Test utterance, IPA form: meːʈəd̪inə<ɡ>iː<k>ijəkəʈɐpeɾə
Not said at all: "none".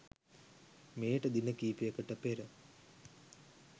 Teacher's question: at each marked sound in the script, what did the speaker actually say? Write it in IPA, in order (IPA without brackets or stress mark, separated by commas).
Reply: k, p